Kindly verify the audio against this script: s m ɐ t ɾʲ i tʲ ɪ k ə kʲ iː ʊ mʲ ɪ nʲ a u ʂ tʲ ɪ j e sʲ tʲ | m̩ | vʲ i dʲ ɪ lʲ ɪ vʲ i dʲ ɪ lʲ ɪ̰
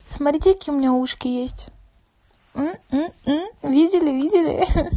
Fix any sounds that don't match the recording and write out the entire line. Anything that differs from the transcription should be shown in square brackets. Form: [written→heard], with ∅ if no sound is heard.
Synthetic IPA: s m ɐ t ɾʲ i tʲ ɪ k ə kʲ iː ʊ mʲ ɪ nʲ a u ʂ [tʲ→kʲ] ɪ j e sʲ tʲ | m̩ | vʲ i dʲ ɪ lʲ ɪ vʲ i dʲ ɪ lʲ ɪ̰